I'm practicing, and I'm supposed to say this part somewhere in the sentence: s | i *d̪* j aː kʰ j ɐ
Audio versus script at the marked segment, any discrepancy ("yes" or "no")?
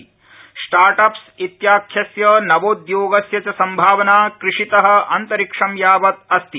yes